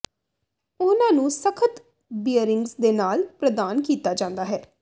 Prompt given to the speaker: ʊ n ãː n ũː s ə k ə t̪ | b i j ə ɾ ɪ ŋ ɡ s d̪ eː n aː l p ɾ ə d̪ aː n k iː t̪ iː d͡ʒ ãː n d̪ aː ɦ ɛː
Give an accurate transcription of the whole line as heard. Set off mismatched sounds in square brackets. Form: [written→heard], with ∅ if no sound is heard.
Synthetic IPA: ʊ n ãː n ũː s ə [k→kʰ] ə t̪ | b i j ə ɾ ɪ ŋ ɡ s d̪ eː n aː l p ɾ ə d̪ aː n k iː t̪ [iː→aː] d͡ʒ ãː n d̪ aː ɦ ɛː